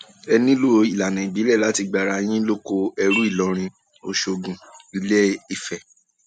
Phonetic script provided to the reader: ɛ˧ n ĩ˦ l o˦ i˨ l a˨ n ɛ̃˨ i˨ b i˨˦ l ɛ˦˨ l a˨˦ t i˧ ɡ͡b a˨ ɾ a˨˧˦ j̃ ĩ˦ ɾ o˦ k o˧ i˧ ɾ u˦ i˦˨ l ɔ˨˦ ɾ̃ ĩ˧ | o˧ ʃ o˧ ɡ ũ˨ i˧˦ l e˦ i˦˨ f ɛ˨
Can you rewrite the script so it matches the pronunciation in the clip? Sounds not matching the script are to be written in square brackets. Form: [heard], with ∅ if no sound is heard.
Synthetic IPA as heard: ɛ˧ n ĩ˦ l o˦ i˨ l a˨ n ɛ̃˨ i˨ b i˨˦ l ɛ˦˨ l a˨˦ t i˧ ɡ͡b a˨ ɾ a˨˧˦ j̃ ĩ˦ [l] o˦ k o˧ [ɛ˧] ɾ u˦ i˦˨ l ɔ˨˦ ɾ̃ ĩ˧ | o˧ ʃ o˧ ɡ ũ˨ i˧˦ l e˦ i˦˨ f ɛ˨